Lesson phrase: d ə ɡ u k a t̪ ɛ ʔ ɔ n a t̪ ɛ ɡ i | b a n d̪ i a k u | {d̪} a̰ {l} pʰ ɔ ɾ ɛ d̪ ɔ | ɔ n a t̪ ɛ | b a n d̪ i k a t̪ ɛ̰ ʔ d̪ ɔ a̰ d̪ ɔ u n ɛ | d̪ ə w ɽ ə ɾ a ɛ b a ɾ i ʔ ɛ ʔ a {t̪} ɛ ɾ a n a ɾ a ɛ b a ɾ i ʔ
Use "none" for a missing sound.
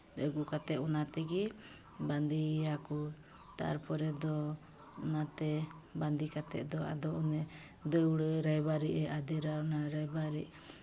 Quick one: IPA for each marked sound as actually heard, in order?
t̪, ɾ, d̪

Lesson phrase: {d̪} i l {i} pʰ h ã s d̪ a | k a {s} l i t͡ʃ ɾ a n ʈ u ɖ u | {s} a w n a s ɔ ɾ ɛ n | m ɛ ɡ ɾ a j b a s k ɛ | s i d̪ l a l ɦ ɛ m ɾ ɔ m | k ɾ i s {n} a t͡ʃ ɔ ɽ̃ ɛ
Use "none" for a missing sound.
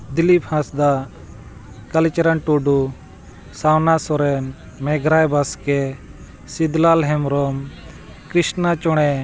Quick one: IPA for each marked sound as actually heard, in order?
d̪, i, none, s, n

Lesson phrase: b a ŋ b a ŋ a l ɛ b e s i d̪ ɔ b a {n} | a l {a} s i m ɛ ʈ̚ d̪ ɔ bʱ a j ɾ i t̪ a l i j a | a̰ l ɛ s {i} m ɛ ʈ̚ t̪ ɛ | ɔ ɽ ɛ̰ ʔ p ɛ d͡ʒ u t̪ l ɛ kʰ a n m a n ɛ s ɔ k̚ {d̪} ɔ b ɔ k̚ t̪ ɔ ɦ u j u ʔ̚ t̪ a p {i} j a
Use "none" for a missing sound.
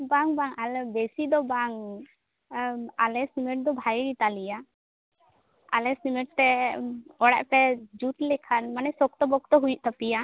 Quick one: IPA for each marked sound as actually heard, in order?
ŋ, ɛ, i, t̪, i

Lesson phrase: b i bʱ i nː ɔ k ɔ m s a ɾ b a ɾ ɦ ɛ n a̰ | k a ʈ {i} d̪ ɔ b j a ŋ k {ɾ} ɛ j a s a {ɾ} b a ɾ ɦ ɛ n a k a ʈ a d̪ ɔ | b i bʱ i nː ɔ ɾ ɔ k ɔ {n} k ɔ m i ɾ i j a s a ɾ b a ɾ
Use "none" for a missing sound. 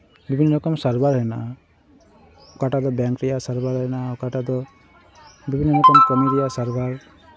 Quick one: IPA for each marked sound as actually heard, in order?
a, ɾ, ɾ, m

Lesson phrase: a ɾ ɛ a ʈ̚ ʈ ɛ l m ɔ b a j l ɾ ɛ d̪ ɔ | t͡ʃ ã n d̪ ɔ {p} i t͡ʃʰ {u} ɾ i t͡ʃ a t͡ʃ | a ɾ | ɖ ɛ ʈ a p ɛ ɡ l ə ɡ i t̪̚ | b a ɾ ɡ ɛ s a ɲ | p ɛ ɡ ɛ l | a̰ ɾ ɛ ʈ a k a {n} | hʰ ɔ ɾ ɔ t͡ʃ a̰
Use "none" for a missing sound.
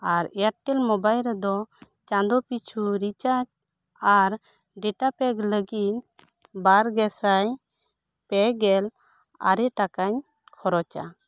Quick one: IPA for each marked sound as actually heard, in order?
p, u, ɲ

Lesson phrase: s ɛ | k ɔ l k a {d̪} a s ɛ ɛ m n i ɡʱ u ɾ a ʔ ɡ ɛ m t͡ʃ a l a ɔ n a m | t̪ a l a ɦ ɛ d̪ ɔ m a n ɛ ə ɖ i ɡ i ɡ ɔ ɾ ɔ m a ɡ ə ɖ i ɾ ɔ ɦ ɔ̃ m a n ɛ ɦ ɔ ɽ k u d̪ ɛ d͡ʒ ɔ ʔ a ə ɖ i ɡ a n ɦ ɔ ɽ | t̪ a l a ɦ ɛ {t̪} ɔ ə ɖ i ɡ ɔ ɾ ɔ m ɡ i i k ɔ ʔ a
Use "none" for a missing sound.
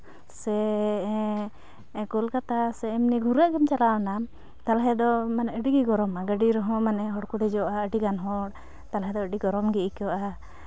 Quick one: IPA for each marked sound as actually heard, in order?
t̪, d̪

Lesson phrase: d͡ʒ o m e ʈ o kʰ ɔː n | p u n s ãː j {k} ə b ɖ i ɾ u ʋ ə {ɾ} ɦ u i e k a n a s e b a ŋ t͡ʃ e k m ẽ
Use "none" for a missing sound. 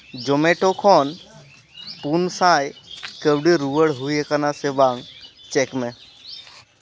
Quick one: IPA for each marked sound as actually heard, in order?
k, ɽ

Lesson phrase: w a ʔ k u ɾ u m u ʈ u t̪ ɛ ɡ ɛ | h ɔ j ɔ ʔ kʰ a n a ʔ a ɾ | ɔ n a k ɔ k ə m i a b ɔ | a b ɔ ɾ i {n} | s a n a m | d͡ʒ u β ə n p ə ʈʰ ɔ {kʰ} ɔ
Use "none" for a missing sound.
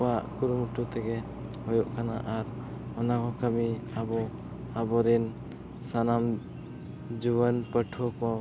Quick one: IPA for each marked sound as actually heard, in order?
n, k

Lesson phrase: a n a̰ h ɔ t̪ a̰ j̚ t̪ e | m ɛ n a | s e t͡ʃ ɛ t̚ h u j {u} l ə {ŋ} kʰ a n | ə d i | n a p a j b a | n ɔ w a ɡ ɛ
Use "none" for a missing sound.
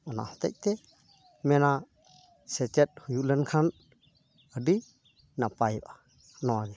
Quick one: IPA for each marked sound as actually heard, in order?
u, n

